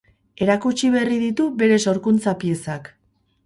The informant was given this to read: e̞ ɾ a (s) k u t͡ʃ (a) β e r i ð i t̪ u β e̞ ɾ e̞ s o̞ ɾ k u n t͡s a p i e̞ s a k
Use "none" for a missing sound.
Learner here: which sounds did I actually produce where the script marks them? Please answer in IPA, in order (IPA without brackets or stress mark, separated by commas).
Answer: none, i